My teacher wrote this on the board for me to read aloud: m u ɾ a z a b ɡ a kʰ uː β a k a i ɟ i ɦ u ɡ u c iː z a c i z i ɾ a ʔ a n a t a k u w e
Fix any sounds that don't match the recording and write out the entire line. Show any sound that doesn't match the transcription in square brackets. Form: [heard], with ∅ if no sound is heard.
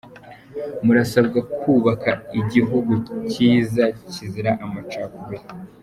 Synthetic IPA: m u ɾ a [s] a b ɡ a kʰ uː β a k a i ɟ i ɦ u ɡ u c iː z a c i z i ɾ a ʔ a [m] a [t͡ʃ] a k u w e